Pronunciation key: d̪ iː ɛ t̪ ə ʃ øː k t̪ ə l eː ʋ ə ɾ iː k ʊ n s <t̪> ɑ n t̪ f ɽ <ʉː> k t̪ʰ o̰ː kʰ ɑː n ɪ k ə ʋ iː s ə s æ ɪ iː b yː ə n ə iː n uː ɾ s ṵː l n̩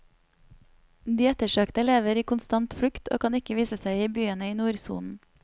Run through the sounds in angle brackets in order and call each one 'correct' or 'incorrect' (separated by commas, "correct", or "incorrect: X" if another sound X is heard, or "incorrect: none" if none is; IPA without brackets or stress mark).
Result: correct, incorrect: ʉ